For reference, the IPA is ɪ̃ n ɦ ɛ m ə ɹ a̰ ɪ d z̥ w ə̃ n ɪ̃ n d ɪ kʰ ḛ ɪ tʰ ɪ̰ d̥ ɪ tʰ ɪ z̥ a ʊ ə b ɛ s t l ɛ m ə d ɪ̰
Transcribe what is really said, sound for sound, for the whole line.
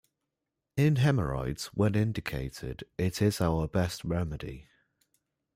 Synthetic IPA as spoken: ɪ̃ n ɦ ɛ m ə ɹ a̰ ɪ d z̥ w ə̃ n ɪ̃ n d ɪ kʰ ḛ ɪ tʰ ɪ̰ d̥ ɪ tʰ ɪ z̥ a ʊ ə b ɛ s t ɹ ɛ m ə d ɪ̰